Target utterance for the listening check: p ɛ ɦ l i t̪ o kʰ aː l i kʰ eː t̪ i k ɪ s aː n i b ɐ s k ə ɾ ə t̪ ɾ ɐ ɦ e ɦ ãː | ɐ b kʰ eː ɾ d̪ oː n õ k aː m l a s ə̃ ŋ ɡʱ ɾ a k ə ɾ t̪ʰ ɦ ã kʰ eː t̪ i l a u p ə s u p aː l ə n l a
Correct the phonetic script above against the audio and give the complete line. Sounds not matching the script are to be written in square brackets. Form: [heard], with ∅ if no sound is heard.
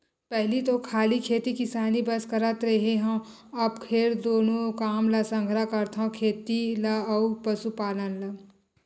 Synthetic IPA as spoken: p ɛ ɦ l i t̪ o kʰ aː l i kʰ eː t̪ i k ɪ s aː n i b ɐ s k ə ɾ ə t̪ ɾ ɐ ɦ e ɦ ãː | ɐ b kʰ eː ɾ d̪ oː n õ k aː m l a s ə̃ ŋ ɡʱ ɾ a k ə ɾ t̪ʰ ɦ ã kʰ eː t̪ i l a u p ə s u p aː l ə n l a